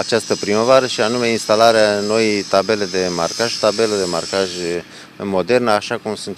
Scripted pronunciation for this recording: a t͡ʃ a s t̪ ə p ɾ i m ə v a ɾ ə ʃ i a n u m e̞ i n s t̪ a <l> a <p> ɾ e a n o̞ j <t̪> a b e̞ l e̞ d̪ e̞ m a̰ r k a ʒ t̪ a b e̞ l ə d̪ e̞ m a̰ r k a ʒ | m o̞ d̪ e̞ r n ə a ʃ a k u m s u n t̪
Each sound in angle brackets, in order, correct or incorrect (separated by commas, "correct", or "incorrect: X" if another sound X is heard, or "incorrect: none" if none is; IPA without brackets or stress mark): correct, incorrect: none, correct